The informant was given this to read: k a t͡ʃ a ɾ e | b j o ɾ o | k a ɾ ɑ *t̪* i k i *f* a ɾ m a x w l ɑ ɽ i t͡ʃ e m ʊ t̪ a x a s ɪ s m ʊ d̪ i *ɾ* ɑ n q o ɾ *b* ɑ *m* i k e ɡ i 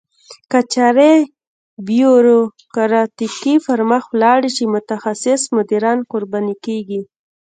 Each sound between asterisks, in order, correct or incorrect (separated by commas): correct, correct, correct, correct, incorrect